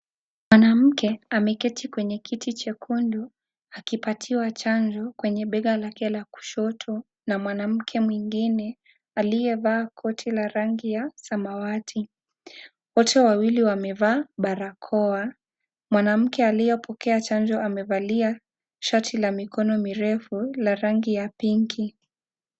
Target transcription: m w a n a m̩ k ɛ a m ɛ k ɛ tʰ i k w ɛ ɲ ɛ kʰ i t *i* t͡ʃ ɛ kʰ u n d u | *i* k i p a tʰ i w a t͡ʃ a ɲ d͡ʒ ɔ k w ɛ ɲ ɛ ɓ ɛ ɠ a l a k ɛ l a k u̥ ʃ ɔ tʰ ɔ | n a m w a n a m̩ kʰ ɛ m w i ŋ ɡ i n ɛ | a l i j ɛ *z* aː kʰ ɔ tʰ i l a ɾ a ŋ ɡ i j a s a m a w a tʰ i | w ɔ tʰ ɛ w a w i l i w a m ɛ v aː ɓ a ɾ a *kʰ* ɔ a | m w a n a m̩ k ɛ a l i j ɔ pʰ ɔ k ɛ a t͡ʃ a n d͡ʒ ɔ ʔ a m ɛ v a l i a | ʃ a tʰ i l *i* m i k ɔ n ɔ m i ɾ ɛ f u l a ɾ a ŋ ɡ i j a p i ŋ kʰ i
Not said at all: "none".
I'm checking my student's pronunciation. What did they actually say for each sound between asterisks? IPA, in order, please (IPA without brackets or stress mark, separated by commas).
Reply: i, a, v, kʰ, a